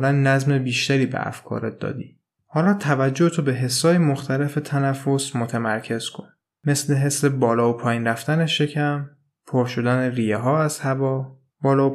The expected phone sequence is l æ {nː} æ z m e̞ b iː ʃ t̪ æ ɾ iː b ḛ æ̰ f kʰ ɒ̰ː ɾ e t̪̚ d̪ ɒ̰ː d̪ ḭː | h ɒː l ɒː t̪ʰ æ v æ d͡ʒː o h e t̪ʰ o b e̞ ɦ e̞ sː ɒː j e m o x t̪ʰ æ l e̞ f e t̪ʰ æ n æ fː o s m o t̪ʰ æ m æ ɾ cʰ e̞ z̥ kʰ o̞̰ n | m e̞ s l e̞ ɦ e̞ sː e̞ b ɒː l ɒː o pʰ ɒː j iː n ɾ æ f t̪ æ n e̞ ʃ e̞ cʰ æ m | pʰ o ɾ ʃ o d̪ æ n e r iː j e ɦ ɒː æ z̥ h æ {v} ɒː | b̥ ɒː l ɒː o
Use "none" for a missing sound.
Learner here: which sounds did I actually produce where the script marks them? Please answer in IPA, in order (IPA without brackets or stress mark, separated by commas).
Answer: nː, v